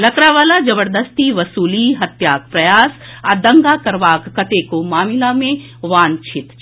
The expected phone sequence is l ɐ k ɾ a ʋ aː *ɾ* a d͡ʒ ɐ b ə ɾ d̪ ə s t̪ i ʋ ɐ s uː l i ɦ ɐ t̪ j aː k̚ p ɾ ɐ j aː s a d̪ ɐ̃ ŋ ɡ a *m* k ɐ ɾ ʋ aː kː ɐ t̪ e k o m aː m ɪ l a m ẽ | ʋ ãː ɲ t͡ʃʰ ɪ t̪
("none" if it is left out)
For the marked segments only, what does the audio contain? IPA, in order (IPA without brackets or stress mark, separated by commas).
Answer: l, none